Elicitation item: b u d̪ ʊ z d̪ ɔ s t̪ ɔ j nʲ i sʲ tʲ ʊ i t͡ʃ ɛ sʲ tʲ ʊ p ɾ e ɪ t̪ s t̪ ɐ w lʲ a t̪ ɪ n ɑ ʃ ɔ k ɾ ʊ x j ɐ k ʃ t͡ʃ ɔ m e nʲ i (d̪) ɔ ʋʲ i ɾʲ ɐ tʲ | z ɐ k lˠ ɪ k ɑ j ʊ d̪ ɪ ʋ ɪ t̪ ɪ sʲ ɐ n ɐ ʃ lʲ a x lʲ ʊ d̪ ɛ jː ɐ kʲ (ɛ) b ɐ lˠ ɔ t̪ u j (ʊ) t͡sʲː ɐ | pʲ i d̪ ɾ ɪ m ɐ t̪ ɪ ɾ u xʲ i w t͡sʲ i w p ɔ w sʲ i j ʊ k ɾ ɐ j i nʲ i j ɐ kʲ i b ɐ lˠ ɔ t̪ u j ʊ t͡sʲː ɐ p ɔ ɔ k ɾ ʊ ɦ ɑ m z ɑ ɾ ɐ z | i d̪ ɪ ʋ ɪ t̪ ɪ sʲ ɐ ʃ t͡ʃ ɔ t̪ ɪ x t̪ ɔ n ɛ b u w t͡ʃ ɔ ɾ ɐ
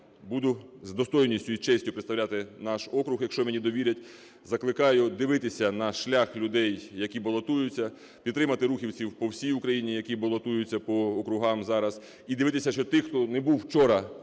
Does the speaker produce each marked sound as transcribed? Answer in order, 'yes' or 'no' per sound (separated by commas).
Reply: yes, no, yes